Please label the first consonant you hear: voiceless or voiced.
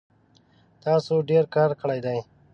voiceless